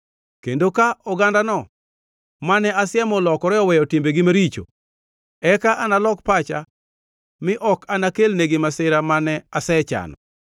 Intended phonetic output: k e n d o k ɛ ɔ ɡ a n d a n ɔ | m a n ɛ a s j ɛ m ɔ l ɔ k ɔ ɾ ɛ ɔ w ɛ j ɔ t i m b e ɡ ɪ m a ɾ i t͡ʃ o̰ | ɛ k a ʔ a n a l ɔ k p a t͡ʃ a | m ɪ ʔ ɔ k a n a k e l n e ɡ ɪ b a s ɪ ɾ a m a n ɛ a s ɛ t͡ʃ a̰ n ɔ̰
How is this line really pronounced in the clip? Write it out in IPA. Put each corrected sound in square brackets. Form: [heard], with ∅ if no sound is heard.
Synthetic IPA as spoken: k e n d o k [a] ɔ ɡ a n d a n ɔ | m a n ɛ a s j ɛ m ɔ l ɔ k ɔ ɾ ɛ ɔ w ɛ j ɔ t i m b e ɡ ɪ m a ɾ i t͡ʃ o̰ | ɛ k a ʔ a n a l ɔ k p a t͡ʃ a | m ɪ ʔ ɔ k a n a k e l n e ɡ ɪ [m] a s ɪ ɾ a m a n ɛ a s ɛ t͡ʃ a̰ n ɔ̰